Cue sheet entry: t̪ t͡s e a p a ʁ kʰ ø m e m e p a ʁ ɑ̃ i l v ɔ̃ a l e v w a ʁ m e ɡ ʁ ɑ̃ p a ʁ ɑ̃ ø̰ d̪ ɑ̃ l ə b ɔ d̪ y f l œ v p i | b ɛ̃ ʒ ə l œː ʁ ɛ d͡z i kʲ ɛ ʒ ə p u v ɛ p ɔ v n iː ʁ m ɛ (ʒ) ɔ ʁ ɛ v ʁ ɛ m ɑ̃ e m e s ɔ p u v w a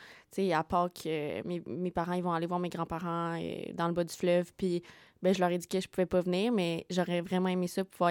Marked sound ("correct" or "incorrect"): correct